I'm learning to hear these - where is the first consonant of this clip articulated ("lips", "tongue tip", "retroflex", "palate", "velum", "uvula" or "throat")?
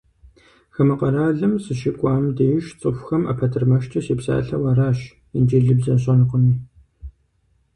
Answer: velum